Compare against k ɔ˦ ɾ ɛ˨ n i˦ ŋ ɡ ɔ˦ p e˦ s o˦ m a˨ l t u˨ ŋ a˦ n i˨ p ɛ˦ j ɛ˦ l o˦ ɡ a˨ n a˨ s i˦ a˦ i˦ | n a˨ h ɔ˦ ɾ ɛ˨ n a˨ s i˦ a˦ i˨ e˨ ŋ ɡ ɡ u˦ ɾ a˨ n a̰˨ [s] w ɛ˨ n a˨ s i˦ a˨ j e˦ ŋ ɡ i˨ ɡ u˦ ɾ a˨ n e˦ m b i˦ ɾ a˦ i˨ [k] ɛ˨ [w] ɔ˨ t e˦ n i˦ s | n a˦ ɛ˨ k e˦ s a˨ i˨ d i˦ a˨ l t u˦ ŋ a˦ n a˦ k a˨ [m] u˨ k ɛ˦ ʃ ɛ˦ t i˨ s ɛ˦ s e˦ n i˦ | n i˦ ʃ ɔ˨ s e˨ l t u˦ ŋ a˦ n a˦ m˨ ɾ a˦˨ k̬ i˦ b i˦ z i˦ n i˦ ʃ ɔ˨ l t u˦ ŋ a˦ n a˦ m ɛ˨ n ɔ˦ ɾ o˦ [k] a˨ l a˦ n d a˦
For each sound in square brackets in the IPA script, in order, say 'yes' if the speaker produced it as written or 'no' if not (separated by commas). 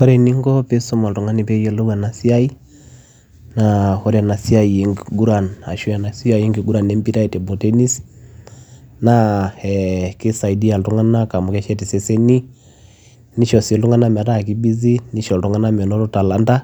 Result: no, no, no, yes, no